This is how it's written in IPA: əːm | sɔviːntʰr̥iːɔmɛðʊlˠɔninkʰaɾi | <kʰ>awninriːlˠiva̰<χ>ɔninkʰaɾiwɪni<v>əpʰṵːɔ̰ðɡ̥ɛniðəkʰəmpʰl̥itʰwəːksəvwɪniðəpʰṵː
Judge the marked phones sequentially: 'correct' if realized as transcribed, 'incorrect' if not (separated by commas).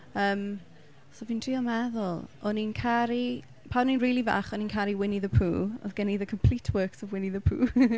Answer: incorrect, correct, incorrect